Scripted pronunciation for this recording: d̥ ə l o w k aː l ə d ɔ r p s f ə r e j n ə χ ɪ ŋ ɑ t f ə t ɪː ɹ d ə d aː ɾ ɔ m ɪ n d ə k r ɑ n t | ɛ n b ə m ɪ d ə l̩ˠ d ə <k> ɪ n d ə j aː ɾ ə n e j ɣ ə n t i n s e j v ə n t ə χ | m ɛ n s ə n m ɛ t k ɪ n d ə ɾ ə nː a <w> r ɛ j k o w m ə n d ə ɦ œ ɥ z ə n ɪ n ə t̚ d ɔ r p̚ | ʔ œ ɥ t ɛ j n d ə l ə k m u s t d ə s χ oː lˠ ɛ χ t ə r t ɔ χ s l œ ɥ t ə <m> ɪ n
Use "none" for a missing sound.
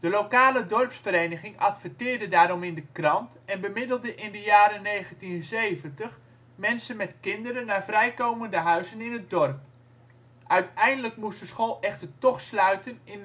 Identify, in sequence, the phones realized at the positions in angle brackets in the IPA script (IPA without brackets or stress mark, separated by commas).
ʔ, v, n